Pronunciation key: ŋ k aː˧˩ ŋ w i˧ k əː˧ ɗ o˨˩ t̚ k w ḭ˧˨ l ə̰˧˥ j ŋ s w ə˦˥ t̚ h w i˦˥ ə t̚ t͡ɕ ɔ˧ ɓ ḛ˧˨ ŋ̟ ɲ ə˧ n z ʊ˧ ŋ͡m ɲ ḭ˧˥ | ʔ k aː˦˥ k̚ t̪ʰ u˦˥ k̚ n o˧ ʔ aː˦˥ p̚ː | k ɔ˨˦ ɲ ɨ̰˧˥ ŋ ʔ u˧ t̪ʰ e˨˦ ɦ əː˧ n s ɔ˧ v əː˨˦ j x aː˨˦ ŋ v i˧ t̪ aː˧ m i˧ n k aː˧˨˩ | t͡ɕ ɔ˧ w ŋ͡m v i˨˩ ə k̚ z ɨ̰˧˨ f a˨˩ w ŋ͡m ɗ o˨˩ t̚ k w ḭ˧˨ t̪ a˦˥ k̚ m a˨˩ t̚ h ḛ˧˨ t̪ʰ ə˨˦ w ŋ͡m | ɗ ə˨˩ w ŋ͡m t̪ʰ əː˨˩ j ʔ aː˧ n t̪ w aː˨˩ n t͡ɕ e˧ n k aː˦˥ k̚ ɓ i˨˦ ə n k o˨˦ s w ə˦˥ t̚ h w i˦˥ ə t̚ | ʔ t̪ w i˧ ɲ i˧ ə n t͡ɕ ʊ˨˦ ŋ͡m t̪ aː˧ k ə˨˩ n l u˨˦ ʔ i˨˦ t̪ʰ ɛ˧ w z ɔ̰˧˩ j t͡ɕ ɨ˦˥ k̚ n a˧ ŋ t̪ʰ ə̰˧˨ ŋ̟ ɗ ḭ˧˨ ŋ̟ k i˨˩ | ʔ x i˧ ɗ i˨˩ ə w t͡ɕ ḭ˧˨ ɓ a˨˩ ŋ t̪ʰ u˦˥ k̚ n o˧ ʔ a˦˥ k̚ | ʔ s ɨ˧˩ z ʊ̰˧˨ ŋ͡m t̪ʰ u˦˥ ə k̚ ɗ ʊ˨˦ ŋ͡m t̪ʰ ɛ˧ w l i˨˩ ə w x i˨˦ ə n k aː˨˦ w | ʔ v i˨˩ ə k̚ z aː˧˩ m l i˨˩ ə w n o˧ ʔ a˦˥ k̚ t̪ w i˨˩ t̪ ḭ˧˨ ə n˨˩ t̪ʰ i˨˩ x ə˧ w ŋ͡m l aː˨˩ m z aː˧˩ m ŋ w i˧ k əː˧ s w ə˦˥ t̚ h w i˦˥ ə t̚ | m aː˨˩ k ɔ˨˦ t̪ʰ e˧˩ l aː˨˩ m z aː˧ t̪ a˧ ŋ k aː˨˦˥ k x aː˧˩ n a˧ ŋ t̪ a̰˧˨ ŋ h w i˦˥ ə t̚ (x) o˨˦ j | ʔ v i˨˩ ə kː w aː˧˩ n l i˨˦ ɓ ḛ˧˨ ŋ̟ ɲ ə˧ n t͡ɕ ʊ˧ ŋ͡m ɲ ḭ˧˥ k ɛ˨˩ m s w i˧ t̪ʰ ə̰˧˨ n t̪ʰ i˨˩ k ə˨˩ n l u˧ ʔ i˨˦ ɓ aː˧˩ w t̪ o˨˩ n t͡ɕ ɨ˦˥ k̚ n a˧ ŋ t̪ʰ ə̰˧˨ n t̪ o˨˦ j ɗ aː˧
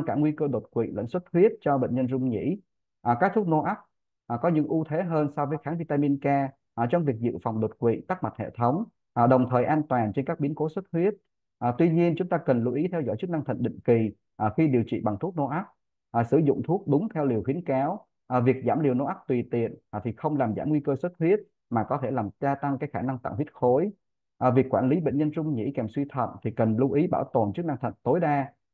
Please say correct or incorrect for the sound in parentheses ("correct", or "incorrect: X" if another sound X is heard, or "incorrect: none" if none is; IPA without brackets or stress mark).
correct